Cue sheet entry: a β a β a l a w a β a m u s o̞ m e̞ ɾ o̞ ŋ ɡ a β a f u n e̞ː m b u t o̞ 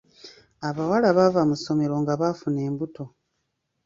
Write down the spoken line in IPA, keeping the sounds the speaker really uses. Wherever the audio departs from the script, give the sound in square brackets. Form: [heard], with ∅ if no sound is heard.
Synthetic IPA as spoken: a β a [w] a l a [β] a [v] a m u s o̞ m e̞ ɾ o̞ ŋ ɡ a β a f u n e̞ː m b u t o̞